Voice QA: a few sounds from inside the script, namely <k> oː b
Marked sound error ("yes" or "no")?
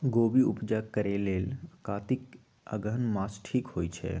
yes